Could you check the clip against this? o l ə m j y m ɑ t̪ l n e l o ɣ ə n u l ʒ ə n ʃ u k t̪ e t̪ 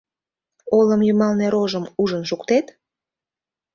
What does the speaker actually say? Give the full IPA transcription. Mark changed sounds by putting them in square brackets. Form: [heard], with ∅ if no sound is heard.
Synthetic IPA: o l ə m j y m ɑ [∅] l n e [ɾ] o [ʒ] ə [m] u [∅] ʒ ə n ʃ u k t̪ e t̪